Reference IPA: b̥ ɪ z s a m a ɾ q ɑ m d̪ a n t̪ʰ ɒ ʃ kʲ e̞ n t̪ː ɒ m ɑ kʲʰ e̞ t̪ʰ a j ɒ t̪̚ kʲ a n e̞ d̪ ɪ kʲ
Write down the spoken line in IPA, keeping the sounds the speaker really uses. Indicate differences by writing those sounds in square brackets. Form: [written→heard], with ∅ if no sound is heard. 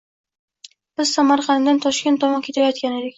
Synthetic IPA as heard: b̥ ɪ z s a m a ɾ q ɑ [m→n] d̪ a n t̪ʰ ɒ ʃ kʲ e̞ n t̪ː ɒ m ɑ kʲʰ e̞ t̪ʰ a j ɒ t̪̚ kʲ a n e̞ d̪ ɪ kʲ